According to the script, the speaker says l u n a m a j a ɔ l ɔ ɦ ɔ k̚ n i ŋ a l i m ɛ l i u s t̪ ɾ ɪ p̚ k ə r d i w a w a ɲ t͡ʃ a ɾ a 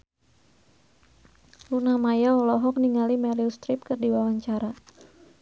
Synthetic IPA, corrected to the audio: l u n a m a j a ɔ l ɔ ɦ ɔ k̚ n i ŋ a l i m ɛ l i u s t̪ ɾ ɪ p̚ k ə r d i w a w a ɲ t͡ʃ a ɾ a